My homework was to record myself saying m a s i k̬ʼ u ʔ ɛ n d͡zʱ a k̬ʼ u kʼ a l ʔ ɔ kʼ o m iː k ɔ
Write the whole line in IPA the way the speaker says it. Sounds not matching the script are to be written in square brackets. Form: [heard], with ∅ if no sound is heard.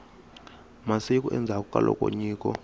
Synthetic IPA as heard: m a s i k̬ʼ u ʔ ɛ n d͡zʱ a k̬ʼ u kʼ a l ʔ ɔ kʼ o [ɲ] iː k ɔ